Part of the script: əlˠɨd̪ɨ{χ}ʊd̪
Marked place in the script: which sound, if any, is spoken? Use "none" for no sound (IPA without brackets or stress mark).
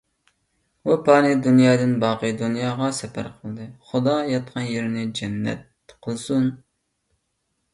χ